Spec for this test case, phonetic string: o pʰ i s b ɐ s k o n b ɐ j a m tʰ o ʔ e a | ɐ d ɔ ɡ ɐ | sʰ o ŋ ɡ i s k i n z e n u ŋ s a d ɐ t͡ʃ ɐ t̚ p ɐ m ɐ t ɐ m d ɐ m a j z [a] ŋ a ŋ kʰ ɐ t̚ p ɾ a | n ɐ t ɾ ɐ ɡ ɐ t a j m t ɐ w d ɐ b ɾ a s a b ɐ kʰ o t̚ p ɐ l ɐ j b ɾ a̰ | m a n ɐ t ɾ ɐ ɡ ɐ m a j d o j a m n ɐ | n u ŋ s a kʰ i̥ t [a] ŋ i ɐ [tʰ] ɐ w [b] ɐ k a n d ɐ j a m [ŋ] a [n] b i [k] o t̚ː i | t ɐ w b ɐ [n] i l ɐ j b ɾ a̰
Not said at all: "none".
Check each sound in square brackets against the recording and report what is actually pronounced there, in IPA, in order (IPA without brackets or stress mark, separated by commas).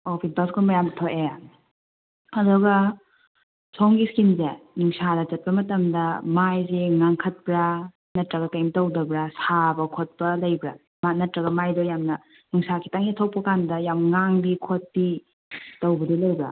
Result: e, a, tʰ, p, ŋ, ŋ, kʰ, d